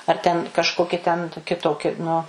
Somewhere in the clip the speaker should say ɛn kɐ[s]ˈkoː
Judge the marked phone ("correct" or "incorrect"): incorrect